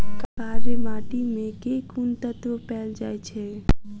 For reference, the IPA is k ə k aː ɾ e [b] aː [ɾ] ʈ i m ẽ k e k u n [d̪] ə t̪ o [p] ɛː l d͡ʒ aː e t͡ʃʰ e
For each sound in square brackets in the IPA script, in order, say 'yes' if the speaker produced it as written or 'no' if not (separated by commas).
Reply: no, no, no, yes